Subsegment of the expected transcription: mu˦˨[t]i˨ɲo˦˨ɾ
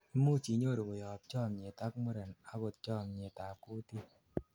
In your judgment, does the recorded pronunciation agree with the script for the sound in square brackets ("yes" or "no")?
no